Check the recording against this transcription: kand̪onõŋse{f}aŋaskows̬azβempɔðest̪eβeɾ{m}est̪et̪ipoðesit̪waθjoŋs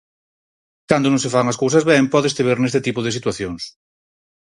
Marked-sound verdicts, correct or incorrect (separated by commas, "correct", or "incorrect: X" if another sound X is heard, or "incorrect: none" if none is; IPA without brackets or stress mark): correct, incorrect: n